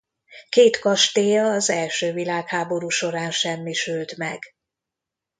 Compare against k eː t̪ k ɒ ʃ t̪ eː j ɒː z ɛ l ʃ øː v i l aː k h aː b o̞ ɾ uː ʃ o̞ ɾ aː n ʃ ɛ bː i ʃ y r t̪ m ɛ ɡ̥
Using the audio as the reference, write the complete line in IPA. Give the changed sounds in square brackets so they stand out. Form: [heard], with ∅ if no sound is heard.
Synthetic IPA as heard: k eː t̪ k ɒ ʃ t̪ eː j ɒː z ɛ l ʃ øː v i l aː k h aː b o̞ ɾ uː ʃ o̞ ɾ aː n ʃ ɛ [mː] i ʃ y [l] t̪ m ɛ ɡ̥